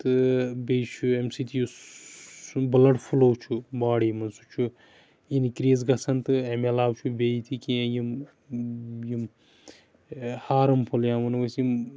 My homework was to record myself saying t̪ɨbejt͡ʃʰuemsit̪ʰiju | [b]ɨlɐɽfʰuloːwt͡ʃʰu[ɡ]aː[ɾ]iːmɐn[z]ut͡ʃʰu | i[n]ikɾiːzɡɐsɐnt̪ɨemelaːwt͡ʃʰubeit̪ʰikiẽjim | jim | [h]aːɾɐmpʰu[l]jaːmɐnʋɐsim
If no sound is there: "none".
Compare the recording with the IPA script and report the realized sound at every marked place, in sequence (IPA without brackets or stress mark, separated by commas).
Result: b, b, ɽ, s, n, h, l